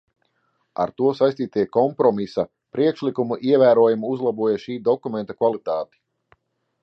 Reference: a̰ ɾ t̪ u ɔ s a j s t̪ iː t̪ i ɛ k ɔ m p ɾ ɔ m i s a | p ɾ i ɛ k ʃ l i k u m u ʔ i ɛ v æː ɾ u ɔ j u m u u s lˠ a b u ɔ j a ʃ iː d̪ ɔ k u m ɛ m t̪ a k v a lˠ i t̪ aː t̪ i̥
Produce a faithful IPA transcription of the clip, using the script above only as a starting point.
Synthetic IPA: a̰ ɾ t̪ u ɔ s a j s t̪ iː t̪ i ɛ k ɔ m p ɾ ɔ m i s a | p ɾ i ɛ k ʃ l i k u m u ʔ i ɛ v æː ɾ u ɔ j u m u u z lˠ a b u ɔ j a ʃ iː d̪ ɔ k u m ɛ n t̪ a k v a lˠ i t̪ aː t̪ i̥